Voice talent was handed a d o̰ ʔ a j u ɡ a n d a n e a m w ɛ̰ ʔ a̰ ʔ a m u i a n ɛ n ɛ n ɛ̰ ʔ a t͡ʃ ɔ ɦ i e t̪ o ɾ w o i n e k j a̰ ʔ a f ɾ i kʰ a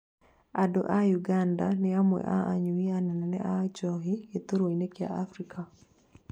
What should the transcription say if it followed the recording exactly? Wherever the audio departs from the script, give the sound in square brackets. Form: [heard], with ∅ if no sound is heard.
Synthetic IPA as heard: a d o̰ ʔ a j u ɡ a n d a n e a m w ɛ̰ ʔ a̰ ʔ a [ɲ] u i a n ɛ n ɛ n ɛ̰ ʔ a t͡ʃ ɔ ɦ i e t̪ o ɾ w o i n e k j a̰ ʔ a f ɾ i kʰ a